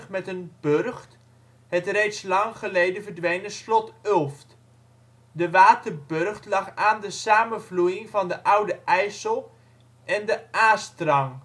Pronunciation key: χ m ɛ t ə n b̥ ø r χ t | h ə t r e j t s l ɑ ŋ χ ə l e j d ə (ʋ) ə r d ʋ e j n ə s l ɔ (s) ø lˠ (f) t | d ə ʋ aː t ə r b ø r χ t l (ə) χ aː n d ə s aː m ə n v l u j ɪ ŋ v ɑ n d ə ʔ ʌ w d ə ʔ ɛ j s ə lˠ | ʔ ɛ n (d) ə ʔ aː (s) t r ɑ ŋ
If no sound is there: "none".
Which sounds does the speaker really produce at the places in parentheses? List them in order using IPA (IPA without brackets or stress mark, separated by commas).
v, t, f, ɑ, d, s